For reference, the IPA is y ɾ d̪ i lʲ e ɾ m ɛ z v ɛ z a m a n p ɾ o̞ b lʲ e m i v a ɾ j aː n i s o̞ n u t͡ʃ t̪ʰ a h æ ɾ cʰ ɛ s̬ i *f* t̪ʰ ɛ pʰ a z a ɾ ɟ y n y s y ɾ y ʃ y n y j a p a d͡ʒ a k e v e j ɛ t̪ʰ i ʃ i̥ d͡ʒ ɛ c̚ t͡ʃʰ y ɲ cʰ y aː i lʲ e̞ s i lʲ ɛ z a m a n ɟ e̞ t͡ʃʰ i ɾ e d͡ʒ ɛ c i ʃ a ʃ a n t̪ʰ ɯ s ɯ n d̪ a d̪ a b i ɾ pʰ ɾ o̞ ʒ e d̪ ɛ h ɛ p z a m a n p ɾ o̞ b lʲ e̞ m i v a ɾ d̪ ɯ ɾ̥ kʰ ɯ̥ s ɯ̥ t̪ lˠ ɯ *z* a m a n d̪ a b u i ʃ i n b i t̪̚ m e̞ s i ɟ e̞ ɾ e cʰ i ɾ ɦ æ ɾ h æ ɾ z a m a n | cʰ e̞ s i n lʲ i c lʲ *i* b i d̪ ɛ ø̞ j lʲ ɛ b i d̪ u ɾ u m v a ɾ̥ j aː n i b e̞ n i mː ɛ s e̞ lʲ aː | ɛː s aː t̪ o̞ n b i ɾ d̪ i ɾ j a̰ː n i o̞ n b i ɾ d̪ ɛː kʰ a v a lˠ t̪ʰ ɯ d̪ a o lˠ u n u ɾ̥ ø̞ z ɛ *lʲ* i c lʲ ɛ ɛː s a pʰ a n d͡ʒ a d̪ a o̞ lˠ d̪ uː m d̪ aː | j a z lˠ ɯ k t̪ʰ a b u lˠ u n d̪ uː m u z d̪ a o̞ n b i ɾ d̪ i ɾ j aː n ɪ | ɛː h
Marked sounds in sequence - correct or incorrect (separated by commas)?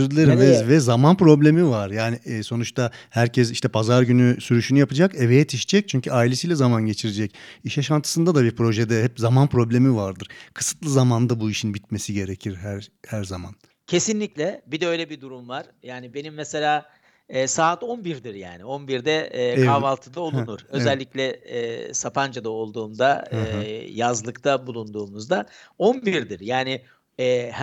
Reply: incorrect, correct, incorrect, incorrect